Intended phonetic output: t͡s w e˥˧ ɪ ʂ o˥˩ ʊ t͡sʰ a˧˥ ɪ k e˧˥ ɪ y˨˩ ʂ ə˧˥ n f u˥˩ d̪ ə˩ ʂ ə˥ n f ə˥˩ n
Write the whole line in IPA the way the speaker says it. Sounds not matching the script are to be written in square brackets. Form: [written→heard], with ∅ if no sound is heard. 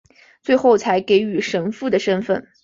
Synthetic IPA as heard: t͡s w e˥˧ ɪ [ʂ→x] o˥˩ ʊ t͡sʰ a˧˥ ɪ k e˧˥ ɪ y˨˩ ʂ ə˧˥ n f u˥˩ d̪ ə˩ ʂ ə˥ n f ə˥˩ n

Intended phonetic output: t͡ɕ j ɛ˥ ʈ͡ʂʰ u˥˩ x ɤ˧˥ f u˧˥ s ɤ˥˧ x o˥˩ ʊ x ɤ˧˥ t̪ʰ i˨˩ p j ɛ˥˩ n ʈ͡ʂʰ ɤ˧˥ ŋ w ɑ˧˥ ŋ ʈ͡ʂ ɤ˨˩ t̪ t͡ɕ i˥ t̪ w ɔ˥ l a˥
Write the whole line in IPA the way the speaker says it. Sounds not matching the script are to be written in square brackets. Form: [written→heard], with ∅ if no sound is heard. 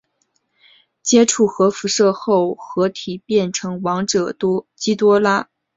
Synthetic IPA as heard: t͡ɕ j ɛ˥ ʈ͡ʂʰ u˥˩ x ɤ˧˥ f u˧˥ [s→ʂ] ɤ˥˧ x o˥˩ ʊ x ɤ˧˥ t̪ʰ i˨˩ p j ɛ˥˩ n ʈ͡ʂʰ ɤ˧˥ ŋ w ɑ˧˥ ŋ ʈ͡ʂ ɤ˨˩ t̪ t͡ɕ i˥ t̪ w ɔ˥ l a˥

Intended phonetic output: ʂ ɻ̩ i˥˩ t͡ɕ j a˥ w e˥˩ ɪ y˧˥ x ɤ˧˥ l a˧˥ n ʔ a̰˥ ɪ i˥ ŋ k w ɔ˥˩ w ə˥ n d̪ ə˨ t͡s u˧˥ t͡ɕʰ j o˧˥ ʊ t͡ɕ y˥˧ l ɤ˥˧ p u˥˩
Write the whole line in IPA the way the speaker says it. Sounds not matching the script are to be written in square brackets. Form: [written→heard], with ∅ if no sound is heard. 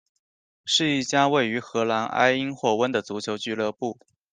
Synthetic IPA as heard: ʂ ɻ̩ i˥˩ t͡ɕ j a˥ w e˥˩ ɪ y˧˥ x ɤ˧˥ l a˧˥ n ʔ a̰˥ ɪ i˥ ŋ [k→x] w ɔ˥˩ w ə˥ n d̪ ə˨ t͡s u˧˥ t͡ɕʰ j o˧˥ ʊ t͡ɕ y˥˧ l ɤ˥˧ p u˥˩

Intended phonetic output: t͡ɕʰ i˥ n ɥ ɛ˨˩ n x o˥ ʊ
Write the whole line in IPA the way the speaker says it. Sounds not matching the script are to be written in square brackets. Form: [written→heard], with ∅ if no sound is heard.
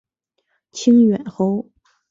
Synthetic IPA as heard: t͡ɕʰ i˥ [n→ŋ] ɥ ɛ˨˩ n x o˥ ʊ

